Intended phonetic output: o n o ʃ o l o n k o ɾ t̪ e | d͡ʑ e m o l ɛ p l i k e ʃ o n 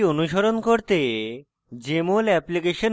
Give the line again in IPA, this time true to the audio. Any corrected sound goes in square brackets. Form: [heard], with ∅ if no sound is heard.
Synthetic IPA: o n [u] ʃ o [ɾ] o n k o ɾ t̪ e | d͡ʑ e m o l ɛ p l i k e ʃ o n